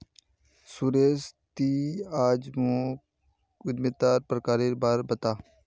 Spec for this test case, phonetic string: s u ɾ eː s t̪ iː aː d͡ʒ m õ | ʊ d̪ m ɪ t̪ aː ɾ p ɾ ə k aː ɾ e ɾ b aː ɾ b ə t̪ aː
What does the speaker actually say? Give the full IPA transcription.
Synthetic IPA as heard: s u ɾ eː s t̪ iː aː d͡ʒ m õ | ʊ d̪ m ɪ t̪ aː ɾ p ɾ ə k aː ɾ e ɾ b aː ɾ b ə t̪ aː

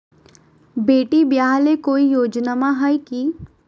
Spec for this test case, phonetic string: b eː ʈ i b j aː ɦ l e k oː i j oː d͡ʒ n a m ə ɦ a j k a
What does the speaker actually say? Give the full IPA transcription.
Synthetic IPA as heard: b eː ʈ i b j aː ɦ l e k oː i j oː d͡ʒ n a m a ɦ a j k i

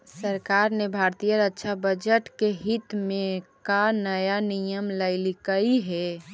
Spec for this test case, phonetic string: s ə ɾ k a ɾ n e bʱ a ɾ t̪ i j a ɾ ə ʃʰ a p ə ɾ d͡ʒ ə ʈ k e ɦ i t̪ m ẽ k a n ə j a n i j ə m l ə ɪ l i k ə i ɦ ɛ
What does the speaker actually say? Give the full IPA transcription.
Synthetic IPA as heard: s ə ɾ k a ɾ n e bʱ a ɾ t̪ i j ə ɾ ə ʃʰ a b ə d͡ʒ ə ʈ k e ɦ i t̪ m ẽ k a n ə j a n i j ə m l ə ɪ l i k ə i ɦ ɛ

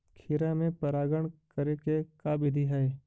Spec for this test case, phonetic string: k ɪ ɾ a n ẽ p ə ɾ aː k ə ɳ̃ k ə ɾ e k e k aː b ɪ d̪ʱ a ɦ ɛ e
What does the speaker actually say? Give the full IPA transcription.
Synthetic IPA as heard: kʰ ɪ ɾ a m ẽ p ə ɾ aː ɡ ə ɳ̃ k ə ɾ e k e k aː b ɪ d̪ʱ i ɦ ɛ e

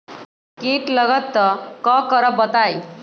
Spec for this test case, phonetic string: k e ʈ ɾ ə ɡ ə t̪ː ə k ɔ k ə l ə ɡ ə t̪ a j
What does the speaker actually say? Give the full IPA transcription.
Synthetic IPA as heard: k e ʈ l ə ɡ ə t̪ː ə k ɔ k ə ɾ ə b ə t̪ a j

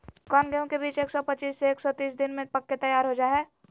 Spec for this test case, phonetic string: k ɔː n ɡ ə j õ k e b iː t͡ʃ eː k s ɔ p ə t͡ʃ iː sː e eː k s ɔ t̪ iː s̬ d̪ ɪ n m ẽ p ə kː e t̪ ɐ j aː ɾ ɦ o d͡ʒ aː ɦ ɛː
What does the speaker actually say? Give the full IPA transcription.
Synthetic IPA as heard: k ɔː n ɡ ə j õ k e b iː t͡ʃ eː k s ɔ p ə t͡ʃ iː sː e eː k s ɔ t̪ iː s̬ d̪ ɪ n m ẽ p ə kː e t̪ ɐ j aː ɾ ɦ o d͡ʒ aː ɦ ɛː

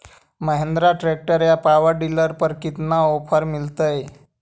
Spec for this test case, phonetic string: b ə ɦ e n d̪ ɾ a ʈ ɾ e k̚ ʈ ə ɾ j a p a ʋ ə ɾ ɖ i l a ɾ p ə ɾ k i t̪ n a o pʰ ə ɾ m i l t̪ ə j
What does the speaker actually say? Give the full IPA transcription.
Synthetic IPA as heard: m ə ɦ e n d̪ ɾ a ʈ ɾ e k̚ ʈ ə ɾ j a p a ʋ ə ɾ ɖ i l ə ɾ p ə ɾ k i t̪ n a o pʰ ə ɾ m i l t̪ ə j

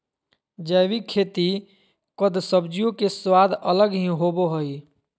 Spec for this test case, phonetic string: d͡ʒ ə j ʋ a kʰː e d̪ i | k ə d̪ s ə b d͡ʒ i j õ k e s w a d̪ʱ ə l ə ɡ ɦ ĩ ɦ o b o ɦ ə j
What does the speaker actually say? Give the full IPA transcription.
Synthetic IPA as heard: d͡ʒ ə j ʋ i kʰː e t̪ i | k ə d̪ s ə b d͡ʒ i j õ k e s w a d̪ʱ ə l ə ɡ ɦ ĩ ɦ o b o ɦ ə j

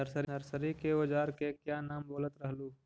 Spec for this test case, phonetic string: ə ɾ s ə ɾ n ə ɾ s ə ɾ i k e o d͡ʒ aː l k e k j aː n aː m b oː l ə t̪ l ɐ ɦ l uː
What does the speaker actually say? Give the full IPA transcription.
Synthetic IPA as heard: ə ɾ s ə ɾ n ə ɾ s ə ɾ i k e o d͡ʒ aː ɾ k e k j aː n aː m b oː l ə t̪ ɾ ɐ ɦ l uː

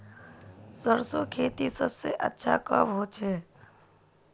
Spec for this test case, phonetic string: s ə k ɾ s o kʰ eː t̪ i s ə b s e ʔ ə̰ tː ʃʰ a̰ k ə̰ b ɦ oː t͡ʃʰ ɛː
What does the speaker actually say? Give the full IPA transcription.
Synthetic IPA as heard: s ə ɾ s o kʰ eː t̪ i s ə b s e ʔ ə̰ tː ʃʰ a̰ k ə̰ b ɦ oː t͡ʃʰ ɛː

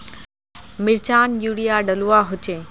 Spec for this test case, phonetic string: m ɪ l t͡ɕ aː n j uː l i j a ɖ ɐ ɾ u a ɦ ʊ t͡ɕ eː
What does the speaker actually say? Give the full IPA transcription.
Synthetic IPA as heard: m ɪ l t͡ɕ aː n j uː ɽ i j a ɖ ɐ l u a ɦ ʊ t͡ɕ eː

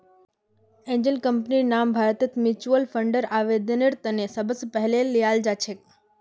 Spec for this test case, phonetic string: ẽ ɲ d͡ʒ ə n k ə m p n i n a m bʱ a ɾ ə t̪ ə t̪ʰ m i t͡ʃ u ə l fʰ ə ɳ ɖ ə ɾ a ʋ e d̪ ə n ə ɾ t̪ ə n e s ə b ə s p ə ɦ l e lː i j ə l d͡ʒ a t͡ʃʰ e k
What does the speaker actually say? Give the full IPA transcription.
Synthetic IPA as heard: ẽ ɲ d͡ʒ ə n k ə m p n i n a m bʱ a ɾ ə t̪ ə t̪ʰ m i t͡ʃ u ə l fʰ ə ɳ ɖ ə ɾ a ʋ e d̪ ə n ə ɾ t̪ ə n e s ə b ə s p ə ɦ l e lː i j a l d͡ʒ a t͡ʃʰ e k

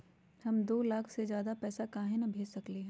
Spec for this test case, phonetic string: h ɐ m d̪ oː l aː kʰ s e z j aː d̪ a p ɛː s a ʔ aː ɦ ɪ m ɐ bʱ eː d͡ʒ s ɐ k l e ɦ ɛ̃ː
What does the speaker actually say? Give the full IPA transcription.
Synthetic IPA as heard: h ɐ m d̪ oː l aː kʰ s e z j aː d̪ a p ɛː s a k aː ɦ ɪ n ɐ bʱ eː d͡ʒ s ɐ k l e ɦ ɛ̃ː

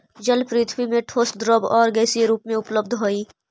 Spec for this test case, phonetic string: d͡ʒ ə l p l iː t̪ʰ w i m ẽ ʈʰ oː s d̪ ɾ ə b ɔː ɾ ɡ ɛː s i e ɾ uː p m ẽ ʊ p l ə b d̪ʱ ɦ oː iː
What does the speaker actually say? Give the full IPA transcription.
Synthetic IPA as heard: d͡ʒ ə l p ɾ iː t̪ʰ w i m ẽ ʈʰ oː s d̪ ɾ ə b ɔː ɾ ɡ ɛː s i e ɾ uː p m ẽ ʊ p l ə b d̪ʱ ɦ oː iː

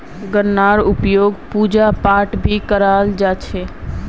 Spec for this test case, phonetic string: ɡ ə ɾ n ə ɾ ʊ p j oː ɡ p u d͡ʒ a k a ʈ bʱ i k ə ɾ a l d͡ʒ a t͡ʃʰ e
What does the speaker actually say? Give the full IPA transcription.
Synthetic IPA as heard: ɡ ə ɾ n a ɾ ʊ p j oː ɡ p u d͡ʒ a p a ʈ bʱ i k ə ɾ a l d͡ʒ a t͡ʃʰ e

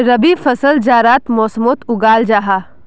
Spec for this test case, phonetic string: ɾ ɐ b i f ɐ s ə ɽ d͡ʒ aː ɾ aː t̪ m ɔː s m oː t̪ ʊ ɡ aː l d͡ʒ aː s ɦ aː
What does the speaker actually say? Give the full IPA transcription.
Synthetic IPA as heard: ɾ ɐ b i f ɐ s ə l d͡ʒ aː ɾ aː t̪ m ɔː s m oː t̪ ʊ ɡ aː l d͡ʒ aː ɦ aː

